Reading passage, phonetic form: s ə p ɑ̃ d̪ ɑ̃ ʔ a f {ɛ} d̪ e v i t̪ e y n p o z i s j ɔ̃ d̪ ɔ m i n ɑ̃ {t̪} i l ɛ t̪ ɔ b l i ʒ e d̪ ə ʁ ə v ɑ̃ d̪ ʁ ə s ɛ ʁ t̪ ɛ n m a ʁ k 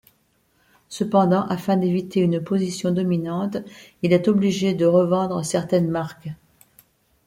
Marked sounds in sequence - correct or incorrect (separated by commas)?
incorrect, correct